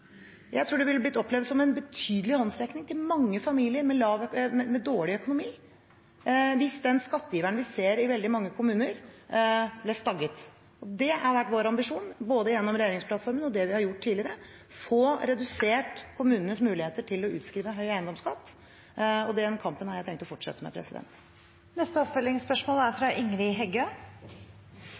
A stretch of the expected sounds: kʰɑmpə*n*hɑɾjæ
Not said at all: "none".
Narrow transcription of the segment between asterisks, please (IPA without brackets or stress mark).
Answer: n